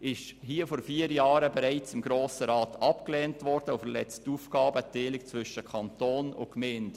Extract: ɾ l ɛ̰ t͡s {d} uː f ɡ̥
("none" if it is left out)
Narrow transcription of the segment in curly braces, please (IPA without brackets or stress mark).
t